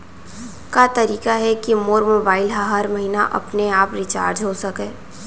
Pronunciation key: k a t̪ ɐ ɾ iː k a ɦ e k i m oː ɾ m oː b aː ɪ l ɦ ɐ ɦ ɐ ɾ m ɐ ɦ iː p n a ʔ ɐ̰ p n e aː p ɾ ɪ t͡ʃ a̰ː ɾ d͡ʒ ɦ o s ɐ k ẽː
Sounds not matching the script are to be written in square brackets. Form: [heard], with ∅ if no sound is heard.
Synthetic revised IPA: k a t̪ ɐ ɾ iː k a ɦ [ɛ] k i m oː ɾ m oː b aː ɪ l ɦ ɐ ɦ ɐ ɾ m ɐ ɦ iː [∅] n a ʔ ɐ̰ p n e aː p ɾ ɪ t͡ʃ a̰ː ɾ d͡ʒ ɦ o s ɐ k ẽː